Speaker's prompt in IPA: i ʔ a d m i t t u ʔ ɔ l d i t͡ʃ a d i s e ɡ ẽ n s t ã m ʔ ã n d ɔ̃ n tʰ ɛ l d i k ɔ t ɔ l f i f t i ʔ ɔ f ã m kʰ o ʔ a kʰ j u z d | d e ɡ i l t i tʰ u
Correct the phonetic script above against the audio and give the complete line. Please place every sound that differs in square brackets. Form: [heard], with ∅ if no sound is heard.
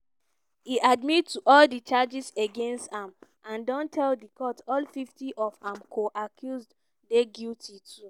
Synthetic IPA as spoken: i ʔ a d m i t t u ʔ ɔ l d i t͡ʃ a [d͡ʒ] i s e ɡ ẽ n s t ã m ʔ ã n d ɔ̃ n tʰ ɛ l d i k ɔ t ɔ l f i f t i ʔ ɔ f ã m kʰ o ʔ a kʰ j u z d | d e ɡ i l t i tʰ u